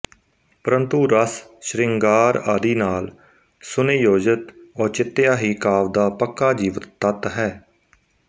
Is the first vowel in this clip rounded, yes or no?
no